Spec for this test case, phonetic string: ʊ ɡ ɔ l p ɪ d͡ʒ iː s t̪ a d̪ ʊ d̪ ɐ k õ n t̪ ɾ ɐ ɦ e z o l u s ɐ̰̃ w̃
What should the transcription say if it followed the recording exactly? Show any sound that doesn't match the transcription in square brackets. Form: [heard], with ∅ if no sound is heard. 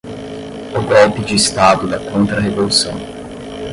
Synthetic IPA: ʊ ɡ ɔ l p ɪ d͡ʒ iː s t̪ a d̪ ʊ d̪ ɐ k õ n t̪ ɾ ɐ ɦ e [v] o l u s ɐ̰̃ w̃